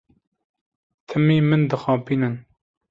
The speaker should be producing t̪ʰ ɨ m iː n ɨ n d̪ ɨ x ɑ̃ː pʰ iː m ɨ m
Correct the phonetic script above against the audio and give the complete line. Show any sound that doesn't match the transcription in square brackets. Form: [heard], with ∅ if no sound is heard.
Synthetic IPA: t̪ʰ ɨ m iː [m] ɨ n d̪ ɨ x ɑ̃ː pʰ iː [n] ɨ [n]